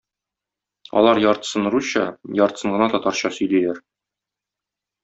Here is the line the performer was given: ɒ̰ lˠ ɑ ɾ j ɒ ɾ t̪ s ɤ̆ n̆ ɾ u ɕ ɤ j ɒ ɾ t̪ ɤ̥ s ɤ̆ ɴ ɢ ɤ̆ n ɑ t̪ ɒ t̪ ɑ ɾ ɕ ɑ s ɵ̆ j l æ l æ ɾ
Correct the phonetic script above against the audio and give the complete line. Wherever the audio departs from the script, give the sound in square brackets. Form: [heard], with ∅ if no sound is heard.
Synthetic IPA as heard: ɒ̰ lˠ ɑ ɾ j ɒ ɾ t̪ s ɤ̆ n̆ ɾ u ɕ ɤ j ɒ ɾ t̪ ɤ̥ s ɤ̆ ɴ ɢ ɤ̆ n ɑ t̪ ɒ t̪ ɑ ɾ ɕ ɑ s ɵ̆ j l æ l æ ɾ